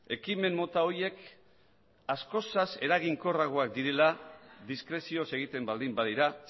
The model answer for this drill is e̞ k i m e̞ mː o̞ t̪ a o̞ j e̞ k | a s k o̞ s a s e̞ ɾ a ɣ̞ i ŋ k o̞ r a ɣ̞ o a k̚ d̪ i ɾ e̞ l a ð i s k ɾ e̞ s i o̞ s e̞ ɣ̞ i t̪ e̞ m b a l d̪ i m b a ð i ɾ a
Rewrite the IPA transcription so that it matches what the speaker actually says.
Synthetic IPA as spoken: e̞ k i m e̞ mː o̞ t̪ a o̞ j e̞ k | a s k o̞ s a s e̞ ɾ a ɣ̞ i ŋ k o̞ r a ɣ̞ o a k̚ d̪ i ɾ e̞ l a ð i s k ɾ e̞ s i o̞ s e̞ ɣ̞ i t̪ e̞ m b a l d̪ i m b a ð i ɾ a